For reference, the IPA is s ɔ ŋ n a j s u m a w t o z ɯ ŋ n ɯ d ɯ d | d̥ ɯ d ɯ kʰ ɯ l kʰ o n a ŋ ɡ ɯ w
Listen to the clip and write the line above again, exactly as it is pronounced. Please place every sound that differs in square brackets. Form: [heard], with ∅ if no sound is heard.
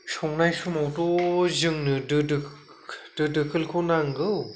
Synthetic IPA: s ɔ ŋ n a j s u m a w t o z ɯ ŋ n ɯ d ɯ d | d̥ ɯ d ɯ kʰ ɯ l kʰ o n a ŋ ɡ ɯ w